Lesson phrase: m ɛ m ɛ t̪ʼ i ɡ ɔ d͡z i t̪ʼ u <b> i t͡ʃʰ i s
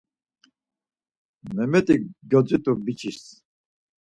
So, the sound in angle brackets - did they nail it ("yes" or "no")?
yes